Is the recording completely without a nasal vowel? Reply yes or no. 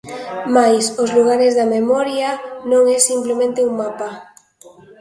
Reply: no